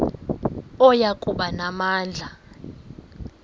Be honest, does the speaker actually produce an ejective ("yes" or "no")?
yes